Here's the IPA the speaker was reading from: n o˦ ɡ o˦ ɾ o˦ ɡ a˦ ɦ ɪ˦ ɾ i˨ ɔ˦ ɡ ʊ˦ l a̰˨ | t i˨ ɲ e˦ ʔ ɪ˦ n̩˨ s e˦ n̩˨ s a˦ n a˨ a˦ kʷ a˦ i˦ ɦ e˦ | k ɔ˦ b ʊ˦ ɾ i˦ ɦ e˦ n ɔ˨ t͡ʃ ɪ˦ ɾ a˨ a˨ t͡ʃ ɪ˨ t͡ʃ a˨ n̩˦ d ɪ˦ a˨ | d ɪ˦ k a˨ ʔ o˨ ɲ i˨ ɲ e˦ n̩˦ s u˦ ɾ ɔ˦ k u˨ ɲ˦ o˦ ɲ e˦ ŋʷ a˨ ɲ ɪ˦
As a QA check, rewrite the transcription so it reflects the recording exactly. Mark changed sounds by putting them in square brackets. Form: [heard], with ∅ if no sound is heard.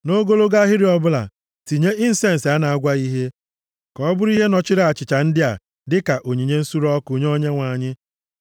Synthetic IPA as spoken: n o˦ ɡ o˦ [l] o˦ ɡ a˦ ɦ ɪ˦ ɾ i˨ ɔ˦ [b] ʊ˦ l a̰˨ | t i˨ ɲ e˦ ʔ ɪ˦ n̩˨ s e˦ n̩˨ s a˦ n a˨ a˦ [ɡʷ] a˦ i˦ ɦ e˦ | k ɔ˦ b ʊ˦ ɾ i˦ ɦ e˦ n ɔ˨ t͡ʃ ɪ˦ ɾ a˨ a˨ t͡ʃ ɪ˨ t͡ʃ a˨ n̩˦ d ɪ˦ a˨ | d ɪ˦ k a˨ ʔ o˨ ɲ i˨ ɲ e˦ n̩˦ s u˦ ɾ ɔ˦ k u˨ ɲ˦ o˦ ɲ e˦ ŋʷ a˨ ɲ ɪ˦